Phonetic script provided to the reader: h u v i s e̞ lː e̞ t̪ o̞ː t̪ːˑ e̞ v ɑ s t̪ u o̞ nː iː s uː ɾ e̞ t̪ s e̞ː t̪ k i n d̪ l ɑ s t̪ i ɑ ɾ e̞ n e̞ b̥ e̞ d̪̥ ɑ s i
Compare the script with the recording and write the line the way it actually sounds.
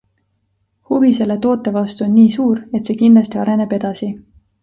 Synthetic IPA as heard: h u v i s e̞ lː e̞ t̪ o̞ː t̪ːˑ e̞ v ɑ s t̪ u o̞ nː iː s uː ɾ e̞ t̪ s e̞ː k i n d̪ l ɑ s t̪ i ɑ ɾ e̞ n e̞ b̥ e̞ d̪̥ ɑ s i